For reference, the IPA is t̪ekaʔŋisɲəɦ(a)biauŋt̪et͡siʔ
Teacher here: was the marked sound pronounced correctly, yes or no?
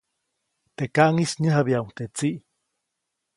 yes